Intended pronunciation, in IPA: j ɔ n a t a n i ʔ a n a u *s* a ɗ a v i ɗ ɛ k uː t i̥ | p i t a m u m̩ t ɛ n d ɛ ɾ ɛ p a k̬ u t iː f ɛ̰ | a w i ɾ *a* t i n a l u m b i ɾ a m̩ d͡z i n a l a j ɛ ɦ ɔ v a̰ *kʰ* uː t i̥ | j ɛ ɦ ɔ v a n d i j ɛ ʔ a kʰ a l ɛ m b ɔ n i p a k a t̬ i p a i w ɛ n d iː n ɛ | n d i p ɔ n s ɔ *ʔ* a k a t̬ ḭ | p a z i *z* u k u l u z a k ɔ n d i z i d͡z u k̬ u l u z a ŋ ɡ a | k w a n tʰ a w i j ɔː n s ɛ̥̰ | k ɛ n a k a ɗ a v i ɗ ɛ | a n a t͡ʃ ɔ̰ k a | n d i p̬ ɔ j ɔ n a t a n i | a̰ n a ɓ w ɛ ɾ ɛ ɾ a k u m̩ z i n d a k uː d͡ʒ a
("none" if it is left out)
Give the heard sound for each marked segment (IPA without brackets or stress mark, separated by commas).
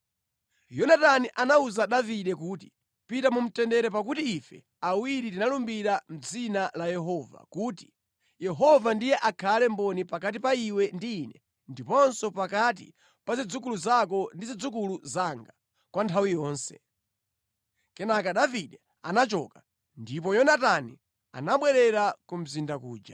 z, i, k, p, d͡z